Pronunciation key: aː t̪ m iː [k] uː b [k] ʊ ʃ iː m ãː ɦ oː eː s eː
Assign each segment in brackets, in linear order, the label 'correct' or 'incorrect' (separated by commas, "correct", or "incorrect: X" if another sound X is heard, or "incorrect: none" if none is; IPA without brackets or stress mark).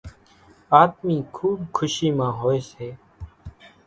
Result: incorrect: kʰ, incorrect: kʰ